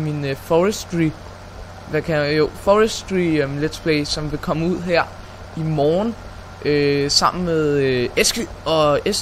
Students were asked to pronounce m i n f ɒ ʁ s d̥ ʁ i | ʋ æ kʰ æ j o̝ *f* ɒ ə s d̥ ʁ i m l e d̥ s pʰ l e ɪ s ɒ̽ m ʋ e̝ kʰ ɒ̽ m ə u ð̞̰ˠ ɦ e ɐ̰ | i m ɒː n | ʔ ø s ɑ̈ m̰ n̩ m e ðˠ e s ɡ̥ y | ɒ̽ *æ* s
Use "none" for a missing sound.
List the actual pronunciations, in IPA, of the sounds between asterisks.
f, e

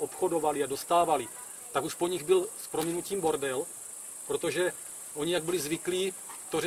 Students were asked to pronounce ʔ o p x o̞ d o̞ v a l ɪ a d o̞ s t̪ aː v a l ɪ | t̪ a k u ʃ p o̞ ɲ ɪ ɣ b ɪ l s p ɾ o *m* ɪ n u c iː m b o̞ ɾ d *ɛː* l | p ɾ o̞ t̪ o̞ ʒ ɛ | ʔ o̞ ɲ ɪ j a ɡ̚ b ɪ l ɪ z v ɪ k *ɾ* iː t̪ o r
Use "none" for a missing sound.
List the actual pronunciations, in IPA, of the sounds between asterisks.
m, ɛ, l

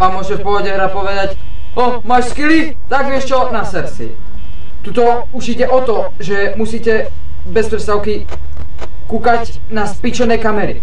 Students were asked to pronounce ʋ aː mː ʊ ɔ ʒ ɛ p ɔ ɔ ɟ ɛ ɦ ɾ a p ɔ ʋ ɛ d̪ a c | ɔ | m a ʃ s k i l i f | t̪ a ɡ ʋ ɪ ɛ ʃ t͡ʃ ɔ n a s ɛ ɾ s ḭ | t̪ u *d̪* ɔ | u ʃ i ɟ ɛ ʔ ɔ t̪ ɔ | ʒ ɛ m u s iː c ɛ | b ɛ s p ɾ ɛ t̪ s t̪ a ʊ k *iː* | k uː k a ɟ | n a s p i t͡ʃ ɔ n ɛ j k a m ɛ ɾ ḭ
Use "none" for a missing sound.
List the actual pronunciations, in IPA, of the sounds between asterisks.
t̪, i

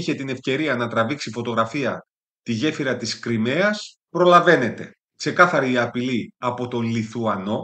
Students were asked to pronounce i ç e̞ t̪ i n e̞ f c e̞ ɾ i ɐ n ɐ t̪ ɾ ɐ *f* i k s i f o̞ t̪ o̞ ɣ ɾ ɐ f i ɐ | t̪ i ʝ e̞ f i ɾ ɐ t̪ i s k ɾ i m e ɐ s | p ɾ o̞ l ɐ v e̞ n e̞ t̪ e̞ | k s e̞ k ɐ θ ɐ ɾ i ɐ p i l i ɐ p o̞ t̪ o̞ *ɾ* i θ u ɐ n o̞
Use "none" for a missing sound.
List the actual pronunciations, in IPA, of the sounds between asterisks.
v, l

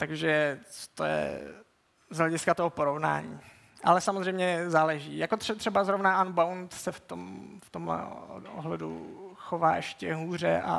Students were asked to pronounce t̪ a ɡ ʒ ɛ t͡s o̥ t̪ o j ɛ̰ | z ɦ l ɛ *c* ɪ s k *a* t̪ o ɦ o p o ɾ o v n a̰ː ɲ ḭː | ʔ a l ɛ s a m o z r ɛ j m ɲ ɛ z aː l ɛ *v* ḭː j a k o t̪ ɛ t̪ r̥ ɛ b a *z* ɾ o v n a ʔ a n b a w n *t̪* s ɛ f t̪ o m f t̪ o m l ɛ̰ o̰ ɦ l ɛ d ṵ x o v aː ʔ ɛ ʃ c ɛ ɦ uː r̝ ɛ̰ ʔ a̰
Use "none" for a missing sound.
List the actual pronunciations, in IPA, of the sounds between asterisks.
ɟ, a, ʒ, z, t̪

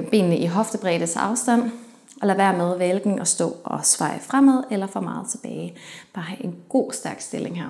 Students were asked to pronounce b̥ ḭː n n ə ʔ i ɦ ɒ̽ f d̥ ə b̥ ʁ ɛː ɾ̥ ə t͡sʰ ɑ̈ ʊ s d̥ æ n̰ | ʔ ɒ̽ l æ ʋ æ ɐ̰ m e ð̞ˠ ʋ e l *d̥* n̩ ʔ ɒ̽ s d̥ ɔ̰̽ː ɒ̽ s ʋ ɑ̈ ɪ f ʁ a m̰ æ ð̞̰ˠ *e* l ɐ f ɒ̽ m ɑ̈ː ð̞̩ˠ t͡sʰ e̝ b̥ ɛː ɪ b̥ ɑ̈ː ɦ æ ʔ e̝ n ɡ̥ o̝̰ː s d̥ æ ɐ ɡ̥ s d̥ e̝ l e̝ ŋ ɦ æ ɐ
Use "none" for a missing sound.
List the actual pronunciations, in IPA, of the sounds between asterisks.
ɡ̥, e

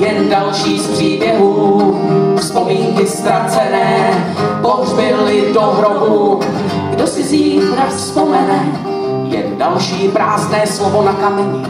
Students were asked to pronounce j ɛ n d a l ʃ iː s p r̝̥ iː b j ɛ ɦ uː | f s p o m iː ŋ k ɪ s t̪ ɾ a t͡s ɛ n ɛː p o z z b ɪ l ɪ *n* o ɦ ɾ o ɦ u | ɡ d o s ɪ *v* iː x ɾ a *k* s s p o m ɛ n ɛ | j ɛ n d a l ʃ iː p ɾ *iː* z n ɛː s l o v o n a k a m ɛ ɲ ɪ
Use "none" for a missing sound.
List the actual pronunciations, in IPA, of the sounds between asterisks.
d, z, none, aː

